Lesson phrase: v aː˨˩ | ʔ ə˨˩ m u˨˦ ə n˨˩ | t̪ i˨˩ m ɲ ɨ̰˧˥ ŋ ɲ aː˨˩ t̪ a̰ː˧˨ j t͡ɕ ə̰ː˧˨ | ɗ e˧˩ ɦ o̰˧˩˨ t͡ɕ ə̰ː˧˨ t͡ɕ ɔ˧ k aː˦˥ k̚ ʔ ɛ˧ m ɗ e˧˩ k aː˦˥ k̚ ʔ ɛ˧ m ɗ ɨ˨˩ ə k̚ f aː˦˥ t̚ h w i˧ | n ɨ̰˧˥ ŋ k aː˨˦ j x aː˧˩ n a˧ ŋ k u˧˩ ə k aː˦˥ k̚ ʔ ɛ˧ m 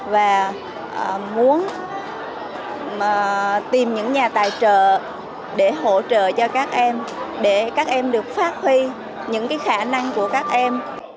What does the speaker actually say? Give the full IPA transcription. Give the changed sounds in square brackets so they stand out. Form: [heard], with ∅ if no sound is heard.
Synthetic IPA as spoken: v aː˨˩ | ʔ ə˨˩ m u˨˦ ə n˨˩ | t̪ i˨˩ m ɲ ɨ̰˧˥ ŋ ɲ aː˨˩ t̪ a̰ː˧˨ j t͡ɕ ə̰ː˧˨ | ɗ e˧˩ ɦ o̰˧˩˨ t͡ɕ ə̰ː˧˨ t͡ɕ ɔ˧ k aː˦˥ k̚ ʔ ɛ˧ m ɗ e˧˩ k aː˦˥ k̚ ʔ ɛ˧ m ɗ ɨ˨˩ ə k̚ f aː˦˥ t̚ h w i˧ | [ɲ] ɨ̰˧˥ ŋ k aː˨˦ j x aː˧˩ n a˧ ŋ k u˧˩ ə k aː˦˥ k̚ ʔ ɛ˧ m

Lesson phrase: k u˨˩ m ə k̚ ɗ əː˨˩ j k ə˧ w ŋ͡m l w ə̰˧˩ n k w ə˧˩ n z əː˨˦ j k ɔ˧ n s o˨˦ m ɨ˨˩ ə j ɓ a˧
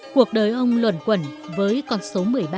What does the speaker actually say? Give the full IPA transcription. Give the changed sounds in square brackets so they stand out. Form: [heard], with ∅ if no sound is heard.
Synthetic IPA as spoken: k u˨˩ [∅] ə k̚ ɗ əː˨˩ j [ʔ] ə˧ w ŋ͡m l w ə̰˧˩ n k w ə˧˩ n [v] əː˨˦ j k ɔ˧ n s o˨˦ m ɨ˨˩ ə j ɓ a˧

